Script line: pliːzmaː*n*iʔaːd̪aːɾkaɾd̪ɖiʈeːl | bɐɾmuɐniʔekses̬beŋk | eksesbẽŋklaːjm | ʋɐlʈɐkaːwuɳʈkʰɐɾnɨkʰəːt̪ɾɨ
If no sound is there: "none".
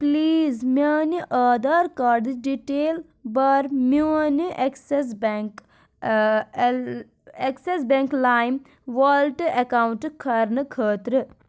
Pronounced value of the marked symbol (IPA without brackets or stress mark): n